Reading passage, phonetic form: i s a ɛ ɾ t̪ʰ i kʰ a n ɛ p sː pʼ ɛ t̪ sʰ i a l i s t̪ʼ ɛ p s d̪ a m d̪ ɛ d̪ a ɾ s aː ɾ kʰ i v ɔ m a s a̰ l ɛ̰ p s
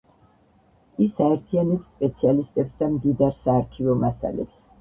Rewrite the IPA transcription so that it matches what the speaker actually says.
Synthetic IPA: i s a ɛ ɾ t̪ʰ i a n ɛ p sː pʼ ɛ t̪ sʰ i a l i s t̪ʼ ɛ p s d̪ a m d̪ i d̪ a ɾ s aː ɾ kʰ i v ɔ m a s a̰ l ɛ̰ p s